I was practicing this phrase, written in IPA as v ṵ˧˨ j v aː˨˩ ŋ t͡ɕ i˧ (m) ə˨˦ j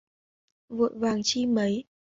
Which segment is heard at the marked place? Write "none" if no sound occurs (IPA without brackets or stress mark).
m